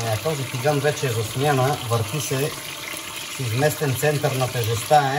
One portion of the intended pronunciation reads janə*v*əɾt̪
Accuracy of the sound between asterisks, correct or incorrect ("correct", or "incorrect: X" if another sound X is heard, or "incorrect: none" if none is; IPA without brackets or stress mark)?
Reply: correct